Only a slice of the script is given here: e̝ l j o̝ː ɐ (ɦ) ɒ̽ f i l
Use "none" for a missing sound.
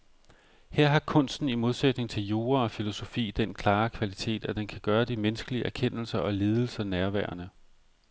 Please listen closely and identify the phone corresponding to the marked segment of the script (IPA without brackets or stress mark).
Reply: none